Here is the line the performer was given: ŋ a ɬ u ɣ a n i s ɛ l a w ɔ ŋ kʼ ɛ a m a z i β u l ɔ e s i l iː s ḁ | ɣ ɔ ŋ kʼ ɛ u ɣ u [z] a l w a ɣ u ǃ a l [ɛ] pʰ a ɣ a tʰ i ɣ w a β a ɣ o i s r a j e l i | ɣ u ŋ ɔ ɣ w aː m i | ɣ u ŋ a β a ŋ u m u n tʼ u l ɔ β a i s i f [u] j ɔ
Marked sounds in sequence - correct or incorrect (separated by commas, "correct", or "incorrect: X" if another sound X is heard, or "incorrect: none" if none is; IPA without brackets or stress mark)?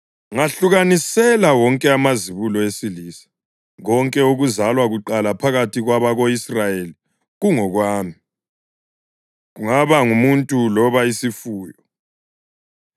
correct, incorrect: a, incorrect: uː